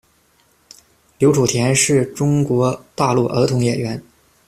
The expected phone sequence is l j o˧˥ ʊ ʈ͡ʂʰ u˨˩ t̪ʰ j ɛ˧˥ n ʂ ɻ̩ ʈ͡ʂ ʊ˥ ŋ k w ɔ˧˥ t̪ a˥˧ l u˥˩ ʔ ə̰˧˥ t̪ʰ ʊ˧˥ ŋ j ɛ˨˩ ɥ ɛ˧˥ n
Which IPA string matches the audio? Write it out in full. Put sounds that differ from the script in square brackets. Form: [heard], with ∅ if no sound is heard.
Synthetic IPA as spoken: l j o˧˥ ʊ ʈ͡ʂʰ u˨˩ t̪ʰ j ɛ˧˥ n ʂ ɻ̩ ʈ͡ʂ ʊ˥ ŋ k w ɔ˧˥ t̪ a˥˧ l u˥˩ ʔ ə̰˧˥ t̪ʰ ʊ˧˥ ŋ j ɛ˨˩ ɥ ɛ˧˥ n